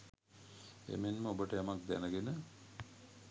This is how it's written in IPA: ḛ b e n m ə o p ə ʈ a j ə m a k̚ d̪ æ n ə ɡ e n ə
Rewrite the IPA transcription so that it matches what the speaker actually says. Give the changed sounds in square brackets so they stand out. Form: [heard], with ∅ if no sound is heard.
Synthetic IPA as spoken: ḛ [m] e n m ə o [b] ə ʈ [ə] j [a] m a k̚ d̪ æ n ə ɡ e n ə